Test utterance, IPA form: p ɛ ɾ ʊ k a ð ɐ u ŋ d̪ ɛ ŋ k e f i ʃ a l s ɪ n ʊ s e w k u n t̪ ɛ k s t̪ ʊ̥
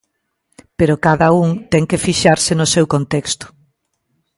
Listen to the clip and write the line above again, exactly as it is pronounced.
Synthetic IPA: p e ɾ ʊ k a ð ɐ u ŋ t̪ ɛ ŋ k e f i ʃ a ɾ s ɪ n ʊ s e w k o n t̪ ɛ k s t̪ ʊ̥